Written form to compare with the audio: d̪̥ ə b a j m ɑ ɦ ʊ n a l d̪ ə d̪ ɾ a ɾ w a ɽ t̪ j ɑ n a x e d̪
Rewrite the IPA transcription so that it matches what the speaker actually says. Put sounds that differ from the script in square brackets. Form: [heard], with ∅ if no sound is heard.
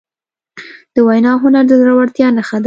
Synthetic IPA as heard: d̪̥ ə [w] a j [n] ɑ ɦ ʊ n a [ɾ] d̪ ə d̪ ɾ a [∅] w a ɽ t̪ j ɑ n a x [a] d̪